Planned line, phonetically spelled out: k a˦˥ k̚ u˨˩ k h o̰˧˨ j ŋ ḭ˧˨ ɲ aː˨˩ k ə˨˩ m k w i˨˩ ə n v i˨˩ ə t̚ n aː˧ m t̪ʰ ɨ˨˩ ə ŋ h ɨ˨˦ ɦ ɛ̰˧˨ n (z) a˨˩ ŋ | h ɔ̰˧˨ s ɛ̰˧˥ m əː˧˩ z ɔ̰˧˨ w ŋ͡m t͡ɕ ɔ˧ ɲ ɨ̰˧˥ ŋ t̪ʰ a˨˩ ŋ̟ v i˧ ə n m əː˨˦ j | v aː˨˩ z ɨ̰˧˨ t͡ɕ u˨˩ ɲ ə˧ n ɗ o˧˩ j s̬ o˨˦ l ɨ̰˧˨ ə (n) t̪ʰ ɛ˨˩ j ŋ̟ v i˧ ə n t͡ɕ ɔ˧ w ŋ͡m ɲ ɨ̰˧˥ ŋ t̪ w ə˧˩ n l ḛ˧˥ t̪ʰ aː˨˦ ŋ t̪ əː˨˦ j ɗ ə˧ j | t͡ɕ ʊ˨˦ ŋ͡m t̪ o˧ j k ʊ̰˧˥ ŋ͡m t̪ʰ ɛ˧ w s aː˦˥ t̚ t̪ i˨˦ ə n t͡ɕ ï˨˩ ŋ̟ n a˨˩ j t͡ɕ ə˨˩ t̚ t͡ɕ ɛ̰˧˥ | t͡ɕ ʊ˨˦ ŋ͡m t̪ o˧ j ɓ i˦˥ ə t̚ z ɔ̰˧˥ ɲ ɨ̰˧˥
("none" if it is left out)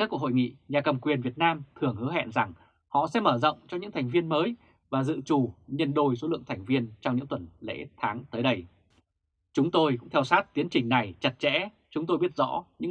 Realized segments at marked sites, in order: z, ŋ

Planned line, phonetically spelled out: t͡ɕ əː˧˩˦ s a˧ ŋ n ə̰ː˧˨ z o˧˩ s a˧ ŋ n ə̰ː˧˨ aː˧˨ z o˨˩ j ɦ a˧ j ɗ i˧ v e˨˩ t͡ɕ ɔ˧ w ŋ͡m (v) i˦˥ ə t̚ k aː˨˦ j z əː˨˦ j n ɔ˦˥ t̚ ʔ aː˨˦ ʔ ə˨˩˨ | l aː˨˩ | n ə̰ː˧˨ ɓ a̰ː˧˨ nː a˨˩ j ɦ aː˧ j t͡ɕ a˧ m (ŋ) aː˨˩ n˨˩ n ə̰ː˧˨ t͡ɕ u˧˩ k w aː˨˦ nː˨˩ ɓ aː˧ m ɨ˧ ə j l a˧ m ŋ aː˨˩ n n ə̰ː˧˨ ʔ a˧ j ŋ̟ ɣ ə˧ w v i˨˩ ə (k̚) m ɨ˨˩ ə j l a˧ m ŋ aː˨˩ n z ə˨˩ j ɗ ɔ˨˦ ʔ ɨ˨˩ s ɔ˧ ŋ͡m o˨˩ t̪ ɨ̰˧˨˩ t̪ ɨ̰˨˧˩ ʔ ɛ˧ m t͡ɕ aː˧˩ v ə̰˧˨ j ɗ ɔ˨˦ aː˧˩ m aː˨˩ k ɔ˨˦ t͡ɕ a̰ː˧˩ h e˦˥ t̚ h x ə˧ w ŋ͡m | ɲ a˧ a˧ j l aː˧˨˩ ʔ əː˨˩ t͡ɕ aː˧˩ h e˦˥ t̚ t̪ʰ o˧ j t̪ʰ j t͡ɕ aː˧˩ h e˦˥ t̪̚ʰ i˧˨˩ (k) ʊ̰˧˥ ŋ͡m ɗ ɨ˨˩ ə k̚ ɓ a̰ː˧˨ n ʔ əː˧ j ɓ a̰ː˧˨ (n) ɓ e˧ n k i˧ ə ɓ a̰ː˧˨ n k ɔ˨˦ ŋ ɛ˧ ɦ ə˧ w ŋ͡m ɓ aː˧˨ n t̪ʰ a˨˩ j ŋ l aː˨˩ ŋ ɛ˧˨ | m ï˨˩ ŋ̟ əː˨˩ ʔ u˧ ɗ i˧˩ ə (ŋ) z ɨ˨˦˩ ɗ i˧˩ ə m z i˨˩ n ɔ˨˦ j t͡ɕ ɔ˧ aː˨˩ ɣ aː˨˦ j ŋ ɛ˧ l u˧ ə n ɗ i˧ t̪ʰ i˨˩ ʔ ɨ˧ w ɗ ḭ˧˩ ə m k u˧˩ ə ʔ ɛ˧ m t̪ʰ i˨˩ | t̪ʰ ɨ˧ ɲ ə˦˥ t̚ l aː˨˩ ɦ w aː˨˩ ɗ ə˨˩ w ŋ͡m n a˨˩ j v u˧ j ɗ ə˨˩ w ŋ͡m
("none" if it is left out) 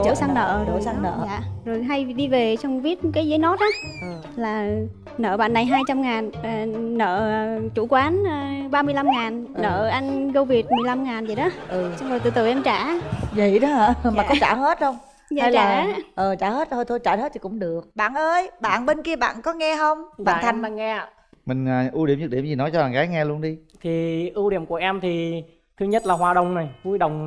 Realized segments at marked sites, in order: v, ŋ, t̚, k, n, m

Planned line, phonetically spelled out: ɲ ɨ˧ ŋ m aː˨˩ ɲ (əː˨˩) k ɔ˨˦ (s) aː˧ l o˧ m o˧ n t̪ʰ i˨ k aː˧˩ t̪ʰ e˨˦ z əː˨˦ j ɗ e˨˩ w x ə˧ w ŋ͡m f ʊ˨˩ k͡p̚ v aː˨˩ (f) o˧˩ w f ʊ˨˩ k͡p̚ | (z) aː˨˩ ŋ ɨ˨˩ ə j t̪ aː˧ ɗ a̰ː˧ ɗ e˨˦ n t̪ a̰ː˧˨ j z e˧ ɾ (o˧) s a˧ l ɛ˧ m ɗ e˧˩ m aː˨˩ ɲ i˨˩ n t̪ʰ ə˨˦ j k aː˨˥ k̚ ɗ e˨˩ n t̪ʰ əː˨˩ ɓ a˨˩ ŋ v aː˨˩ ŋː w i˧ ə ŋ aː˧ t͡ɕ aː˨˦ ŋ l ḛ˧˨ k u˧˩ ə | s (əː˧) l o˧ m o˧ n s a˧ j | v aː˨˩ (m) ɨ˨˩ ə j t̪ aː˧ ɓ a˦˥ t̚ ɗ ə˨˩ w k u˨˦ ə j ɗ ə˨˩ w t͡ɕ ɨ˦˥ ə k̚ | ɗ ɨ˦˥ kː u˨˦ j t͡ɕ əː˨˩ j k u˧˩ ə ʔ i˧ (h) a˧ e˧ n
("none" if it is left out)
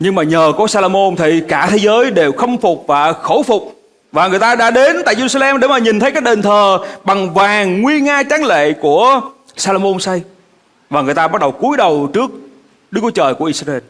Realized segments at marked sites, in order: əː˨˩, s, x, v, u˧, aː˧, ŋ, s

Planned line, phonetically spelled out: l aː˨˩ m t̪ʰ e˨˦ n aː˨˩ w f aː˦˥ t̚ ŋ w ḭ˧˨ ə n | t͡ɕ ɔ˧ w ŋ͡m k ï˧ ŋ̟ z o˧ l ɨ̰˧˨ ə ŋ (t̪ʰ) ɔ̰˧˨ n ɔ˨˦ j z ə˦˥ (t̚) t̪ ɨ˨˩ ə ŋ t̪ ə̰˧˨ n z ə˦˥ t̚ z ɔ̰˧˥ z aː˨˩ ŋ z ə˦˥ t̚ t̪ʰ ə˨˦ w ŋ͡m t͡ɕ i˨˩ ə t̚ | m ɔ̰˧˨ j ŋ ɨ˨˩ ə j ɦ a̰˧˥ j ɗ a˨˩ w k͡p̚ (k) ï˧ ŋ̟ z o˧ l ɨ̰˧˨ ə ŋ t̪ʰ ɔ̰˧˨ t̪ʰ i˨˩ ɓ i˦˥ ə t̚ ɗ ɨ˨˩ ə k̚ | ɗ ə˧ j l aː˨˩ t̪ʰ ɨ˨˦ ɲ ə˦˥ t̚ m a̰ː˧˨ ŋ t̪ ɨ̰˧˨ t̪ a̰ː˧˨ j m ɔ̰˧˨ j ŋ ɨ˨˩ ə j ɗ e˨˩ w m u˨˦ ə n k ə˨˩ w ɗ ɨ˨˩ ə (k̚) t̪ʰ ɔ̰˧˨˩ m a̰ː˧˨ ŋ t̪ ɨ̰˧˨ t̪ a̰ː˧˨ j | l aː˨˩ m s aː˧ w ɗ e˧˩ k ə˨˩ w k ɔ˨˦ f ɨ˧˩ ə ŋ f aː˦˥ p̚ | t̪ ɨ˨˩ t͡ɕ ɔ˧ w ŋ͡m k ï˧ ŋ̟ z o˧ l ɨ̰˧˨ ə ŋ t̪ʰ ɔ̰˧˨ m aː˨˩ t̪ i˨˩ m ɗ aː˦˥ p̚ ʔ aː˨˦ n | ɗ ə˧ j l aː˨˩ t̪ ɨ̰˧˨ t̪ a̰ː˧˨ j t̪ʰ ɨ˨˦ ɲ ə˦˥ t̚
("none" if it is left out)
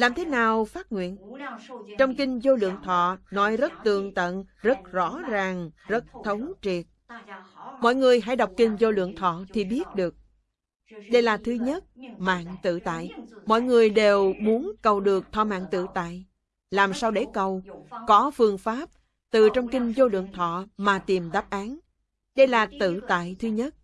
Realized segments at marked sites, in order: t̪ʰ, t̚, k, k̚

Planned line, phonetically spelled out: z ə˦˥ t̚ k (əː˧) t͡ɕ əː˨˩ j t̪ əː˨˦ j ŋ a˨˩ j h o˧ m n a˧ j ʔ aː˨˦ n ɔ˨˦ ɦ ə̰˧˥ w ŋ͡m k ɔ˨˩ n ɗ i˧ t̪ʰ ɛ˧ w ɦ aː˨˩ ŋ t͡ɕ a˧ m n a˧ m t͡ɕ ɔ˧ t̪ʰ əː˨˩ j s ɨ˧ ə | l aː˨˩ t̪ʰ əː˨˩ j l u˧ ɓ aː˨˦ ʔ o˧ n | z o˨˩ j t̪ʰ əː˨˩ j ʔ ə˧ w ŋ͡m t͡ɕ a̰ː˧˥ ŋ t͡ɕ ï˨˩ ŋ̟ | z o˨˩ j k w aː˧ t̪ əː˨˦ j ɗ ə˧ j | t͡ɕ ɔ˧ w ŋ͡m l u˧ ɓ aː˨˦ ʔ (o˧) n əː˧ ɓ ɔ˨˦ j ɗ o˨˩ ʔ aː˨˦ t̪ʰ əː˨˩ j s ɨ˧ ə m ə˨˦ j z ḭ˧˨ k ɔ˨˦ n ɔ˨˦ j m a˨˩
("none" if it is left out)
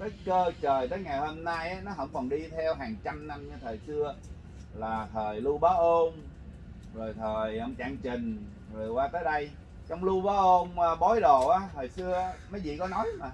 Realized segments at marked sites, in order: əː˧, o˧

